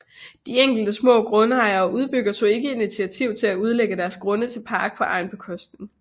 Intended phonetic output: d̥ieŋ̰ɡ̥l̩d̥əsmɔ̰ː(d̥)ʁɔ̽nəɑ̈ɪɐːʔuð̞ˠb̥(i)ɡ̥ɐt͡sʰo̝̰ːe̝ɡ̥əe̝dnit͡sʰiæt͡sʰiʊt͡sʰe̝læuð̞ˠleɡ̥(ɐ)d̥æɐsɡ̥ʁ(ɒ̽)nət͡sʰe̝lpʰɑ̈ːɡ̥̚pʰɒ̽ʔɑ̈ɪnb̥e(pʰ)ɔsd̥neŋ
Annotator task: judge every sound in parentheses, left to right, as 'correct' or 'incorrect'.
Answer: incorrect, incorrect, incorrect, incorrect, incorrect

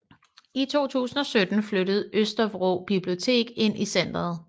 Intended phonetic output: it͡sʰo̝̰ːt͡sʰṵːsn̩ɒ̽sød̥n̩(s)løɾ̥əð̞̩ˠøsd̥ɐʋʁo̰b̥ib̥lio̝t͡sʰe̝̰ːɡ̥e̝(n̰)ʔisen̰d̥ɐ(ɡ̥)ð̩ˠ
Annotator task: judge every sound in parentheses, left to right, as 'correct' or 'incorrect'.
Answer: incorrect, correct, incorrect

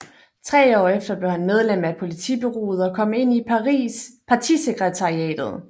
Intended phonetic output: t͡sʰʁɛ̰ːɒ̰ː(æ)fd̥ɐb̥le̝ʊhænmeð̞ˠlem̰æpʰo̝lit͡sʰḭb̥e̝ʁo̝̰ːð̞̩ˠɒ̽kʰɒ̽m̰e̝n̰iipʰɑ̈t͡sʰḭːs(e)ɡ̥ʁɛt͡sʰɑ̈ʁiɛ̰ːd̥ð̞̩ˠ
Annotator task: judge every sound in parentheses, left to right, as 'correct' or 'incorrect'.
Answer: incorrect, correct

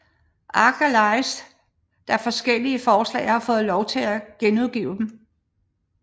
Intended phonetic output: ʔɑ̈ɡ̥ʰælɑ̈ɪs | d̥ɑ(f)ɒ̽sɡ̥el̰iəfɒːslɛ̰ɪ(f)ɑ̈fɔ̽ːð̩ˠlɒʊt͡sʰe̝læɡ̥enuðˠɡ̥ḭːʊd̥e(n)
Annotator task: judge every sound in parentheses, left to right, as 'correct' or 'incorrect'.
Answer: correct, incorrect, incorrect

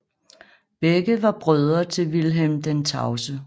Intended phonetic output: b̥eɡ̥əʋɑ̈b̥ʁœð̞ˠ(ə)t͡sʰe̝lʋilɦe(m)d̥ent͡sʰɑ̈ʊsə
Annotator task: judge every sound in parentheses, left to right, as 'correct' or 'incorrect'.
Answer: incorrect, correct

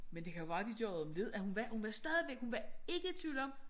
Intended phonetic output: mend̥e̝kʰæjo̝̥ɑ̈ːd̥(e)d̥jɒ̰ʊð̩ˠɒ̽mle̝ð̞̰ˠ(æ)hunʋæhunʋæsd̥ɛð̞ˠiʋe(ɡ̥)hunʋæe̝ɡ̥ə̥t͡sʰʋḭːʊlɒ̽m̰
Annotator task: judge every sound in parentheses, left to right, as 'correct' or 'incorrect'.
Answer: incorrect, correct, correct

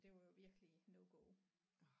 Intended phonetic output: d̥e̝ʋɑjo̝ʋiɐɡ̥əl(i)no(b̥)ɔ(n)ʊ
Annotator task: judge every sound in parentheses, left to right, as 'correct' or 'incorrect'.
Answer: correct, incorrect, incorrect

